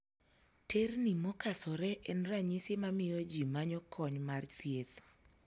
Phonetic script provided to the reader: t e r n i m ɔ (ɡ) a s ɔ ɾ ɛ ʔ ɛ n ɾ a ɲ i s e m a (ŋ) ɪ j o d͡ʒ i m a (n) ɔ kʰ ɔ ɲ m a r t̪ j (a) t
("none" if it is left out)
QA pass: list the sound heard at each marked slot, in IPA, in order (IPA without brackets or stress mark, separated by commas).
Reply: k, m, ɲ, e